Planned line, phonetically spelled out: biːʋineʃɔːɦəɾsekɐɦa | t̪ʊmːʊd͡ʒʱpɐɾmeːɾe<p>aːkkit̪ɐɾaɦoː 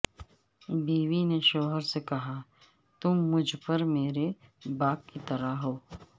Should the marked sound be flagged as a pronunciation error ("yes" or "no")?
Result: yes